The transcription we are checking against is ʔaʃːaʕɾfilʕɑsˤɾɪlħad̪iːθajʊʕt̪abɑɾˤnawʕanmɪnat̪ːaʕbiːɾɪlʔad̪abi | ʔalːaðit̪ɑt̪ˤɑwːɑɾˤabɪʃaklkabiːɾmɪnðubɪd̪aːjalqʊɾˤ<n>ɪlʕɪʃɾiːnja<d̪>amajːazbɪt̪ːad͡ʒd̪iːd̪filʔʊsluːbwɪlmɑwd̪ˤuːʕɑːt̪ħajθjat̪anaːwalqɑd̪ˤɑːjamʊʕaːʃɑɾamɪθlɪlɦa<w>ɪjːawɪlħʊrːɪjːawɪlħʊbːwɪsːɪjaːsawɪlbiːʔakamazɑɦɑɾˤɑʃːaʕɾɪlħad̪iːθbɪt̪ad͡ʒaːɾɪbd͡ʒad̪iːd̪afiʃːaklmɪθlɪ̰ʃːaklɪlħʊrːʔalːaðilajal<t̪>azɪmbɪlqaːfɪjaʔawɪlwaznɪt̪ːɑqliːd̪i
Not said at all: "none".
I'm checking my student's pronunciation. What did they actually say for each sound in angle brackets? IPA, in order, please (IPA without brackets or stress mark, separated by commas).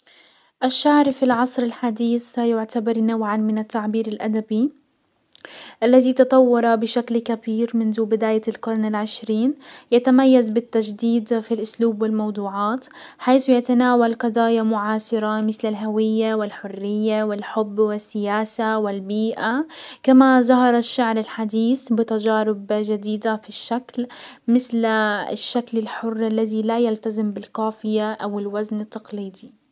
n, t̪, w, t̪